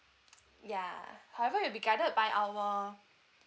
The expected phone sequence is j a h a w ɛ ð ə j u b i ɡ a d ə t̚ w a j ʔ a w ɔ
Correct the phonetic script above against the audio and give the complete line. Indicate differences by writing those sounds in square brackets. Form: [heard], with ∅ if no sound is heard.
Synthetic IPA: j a h a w ɛ [v] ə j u b i ɡ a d ə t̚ [b] a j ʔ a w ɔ